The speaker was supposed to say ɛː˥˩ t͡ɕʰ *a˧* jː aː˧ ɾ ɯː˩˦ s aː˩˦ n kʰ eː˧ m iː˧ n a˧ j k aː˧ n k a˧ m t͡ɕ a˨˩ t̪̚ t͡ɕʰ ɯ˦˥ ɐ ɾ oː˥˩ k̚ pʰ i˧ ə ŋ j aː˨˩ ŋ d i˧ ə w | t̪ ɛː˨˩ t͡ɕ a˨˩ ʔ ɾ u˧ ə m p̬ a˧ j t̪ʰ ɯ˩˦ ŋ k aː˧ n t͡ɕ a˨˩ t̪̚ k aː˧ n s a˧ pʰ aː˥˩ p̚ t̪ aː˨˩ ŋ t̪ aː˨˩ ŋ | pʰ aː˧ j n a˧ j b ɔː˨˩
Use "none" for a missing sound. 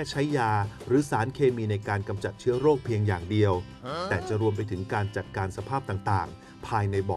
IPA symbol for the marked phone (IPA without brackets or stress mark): a˦˥